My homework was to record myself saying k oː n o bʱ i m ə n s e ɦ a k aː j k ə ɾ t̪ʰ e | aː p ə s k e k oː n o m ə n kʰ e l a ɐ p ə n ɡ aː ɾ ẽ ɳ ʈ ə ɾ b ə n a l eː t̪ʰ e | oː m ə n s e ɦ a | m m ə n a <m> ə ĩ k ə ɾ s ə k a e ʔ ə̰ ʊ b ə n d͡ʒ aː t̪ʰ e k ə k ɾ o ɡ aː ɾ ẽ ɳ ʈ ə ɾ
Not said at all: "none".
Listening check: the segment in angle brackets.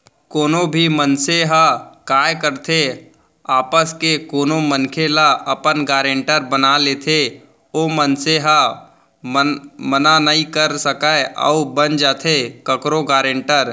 n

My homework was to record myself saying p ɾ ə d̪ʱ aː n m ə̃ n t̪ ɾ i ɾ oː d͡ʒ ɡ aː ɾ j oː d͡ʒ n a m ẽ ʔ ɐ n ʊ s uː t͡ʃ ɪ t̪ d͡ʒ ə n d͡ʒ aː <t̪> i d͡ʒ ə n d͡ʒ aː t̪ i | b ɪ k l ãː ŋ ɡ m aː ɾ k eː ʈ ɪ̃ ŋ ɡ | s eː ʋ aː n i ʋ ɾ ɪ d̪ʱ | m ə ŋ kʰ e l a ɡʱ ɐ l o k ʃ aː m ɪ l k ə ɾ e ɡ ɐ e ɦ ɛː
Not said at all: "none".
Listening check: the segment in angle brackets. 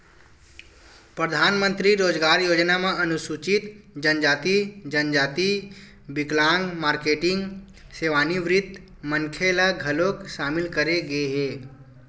t̪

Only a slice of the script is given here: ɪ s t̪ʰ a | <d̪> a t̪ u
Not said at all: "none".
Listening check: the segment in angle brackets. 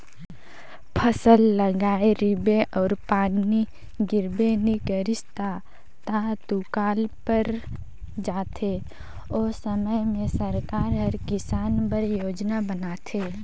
t̪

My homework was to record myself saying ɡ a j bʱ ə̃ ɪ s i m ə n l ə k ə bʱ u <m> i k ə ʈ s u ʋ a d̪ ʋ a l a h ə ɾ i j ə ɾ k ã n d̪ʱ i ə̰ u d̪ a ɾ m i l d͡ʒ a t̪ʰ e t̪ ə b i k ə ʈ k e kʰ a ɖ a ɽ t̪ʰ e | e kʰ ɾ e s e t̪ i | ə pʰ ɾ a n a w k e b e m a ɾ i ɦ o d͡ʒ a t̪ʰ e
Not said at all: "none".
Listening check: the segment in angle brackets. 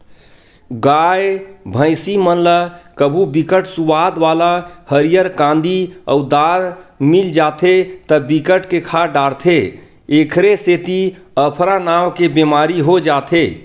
b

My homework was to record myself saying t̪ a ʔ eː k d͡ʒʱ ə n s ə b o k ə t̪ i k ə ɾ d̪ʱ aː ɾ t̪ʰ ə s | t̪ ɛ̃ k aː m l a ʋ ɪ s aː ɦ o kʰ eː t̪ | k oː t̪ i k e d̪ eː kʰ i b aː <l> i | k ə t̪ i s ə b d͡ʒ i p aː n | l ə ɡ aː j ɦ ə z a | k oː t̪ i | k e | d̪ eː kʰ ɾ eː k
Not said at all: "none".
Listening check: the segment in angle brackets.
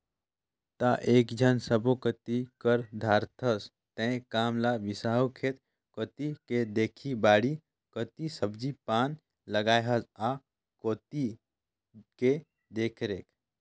ɽ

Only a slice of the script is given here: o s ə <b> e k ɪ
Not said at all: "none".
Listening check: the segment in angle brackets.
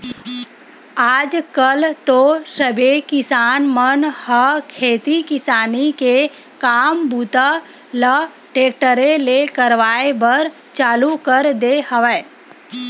b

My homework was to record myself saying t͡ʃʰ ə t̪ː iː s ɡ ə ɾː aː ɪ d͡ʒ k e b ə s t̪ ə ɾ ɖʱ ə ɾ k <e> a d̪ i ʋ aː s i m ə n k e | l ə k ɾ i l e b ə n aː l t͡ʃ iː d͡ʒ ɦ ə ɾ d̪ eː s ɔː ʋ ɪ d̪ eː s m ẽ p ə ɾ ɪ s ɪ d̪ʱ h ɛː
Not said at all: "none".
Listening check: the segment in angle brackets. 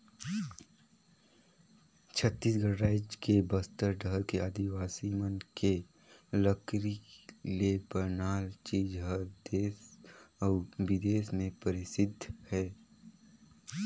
e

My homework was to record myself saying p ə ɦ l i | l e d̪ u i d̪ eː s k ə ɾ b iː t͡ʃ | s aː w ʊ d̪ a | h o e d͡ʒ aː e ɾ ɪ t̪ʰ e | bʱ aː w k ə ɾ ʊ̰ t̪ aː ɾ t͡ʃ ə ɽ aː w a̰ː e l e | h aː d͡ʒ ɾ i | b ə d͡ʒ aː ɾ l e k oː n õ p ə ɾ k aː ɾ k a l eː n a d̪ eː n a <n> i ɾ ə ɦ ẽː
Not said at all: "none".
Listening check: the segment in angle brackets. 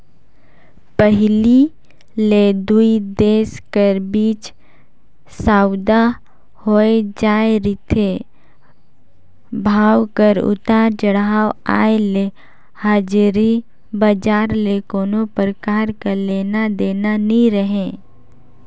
n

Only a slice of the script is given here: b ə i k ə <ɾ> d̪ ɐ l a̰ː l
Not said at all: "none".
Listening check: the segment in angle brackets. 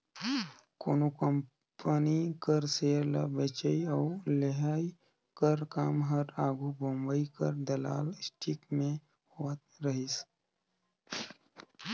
ɾ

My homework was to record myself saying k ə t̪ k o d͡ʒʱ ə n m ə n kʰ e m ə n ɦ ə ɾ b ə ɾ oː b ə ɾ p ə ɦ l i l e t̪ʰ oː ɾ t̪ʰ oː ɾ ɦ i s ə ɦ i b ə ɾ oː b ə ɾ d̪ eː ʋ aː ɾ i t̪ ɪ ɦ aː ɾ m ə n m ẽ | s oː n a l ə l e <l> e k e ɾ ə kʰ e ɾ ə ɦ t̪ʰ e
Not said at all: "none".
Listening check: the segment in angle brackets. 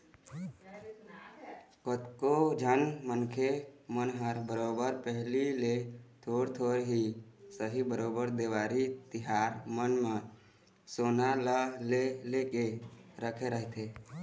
l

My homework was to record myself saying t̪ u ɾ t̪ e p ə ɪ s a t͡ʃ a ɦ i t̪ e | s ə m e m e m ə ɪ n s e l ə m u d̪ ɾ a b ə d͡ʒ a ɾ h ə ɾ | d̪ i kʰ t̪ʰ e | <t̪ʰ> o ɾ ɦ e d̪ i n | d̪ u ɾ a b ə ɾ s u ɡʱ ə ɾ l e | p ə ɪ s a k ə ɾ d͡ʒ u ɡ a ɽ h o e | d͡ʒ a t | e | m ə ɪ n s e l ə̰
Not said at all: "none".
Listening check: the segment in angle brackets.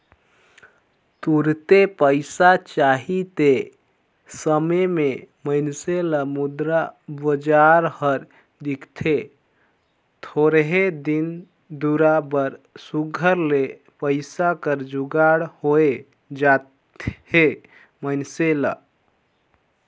t̪ʰ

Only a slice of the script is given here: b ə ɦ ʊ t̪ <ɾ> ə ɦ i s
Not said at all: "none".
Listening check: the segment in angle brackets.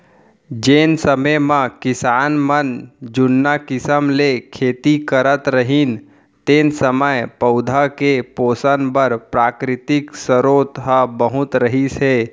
ɾ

